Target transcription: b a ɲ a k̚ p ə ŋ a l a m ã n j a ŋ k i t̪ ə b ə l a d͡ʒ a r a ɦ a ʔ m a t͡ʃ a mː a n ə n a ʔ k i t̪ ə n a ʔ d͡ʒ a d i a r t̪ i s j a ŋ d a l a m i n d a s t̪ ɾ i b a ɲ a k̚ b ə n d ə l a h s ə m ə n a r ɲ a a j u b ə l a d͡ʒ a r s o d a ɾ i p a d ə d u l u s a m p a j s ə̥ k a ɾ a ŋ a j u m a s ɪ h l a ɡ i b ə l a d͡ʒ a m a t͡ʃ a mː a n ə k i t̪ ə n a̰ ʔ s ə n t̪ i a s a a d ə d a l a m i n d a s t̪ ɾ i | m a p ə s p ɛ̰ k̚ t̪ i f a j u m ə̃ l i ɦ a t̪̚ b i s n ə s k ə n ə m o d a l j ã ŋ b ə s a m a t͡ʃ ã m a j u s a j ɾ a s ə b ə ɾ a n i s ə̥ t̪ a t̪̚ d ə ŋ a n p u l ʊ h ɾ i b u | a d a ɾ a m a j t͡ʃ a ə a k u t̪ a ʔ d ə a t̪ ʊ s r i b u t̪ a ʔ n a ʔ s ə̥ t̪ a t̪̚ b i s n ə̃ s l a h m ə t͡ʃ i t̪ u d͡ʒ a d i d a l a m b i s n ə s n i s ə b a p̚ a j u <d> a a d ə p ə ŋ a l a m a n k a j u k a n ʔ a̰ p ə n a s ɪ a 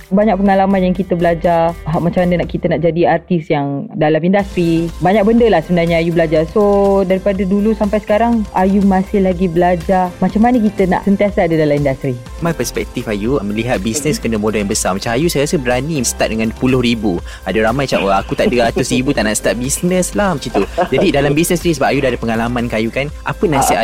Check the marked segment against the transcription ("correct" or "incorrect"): correct